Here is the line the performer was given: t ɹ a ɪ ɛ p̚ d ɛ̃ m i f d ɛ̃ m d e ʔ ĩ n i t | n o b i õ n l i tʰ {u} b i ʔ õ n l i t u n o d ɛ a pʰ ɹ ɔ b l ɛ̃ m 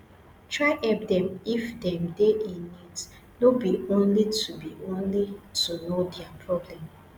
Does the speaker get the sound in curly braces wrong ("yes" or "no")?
no